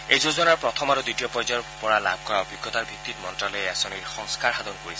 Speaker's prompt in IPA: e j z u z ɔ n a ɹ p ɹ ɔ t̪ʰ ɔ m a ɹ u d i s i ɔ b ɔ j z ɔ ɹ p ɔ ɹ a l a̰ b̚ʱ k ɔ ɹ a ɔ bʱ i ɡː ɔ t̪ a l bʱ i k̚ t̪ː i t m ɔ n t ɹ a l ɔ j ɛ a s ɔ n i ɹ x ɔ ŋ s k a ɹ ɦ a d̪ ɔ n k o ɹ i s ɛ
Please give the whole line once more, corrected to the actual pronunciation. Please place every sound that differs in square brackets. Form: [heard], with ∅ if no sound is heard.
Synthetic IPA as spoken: e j z [o] z ɔ n a ɹ p ɹ ɔ t̪ʰ ɔ m a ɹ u d i [t] i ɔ [p] ɔ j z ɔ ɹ p ɔ ɹ a l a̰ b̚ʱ k ɔ ɹ a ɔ bʱ i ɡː ɔ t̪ a [ɹ] bʱ i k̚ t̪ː i t m ɔ n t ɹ a l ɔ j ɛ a s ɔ n i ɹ x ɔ ŋ s k a ɹ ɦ a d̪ ɔ n k o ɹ i s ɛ